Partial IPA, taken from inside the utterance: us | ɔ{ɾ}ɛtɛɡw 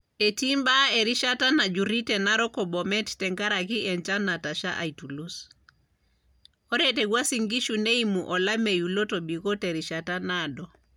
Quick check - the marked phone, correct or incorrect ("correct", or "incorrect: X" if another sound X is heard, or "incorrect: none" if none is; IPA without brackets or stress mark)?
correct